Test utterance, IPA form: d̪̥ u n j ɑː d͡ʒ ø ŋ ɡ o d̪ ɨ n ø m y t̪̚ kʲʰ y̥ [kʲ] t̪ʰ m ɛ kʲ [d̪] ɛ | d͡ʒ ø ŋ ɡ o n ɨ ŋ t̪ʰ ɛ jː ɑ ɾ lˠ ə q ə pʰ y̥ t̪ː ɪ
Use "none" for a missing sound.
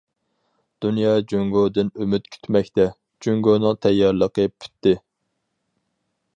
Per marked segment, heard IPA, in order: none, t̪

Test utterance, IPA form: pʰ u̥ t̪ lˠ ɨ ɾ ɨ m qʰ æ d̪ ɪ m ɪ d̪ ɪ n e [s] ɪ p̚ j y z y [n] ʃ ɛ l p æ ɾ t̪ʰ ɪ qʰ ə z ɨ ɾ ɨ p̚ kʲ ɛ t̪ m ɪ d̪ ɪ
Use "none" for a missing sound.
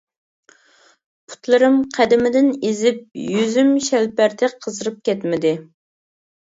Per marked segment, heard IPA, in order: z, m

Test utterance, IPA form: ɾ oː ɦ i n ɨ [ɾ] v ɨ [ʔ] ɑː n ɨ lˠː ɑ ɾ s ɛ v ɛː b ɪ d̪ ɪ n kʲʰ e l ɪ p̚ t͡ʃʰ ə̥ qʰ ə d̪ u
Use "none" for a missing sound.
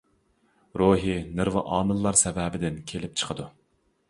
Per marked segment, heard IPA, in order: ɾ, ʔ

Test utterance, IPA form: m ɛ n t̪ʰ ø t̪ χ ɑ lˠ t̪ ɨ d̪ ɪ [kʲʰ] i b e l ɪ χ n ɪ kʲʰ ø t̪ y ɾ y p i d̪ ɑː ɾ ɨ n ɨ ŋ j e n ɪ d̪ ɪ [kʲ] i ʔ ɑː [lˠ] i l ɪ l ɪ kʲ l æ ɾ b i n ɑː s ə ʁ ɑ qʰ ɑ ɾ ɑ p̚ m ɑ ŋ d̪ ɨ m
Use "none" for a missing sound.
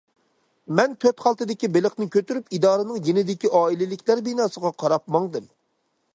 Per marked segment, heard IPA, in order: kʲ, kʲ, none

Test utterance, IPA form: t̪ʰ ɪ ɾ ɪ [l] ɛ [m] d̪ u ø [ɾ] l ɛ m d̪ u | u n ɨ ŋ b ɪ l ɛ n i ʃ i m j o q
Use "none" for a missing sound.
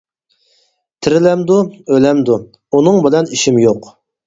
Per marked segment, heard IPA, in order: l, m, none

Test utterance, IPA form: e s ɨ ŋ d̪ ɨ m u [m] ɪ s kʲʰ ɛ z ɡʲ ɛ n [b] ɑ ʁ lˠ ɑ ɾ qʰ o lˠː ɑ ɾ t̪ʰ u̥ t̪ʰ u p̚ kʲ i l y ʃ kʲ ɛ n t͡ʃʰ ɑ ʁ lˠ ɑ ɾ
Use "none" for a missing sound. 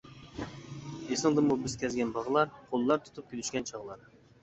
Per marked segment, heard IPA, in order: b, b

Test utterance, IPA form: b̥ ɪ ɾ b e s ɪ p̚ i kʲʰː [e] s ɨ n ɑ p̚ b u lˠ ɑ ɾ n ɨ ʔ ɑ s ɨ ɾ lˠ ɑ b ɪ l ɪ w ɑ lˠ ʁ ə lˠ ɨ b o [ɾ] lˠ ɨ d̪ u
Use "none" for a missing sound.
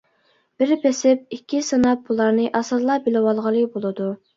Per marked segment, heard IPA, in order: i, none

